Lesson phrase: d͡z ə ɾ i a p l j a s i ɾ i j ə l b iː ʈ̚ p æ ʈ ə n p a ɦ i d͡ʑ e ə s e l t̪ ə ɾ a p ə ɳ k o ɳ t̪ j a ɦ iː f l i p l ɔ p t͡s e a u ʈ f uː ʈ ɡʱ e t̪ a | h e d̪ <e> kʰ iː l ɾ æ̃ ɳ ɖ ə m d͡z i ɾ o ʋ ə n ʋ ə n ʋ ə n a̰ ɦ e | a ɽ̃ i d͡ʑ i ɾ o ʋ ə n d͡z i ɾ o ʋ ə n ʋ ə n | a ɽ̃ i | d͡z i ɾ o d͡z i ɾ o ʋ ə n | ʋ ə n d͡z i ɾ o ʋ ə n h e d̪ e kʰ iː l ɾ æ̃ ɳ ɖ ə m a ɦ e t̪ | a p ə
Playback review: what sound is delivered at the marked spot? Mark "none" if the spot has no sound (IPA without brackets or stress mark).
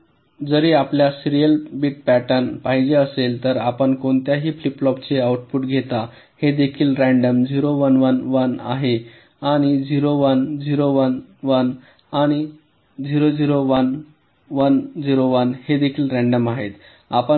e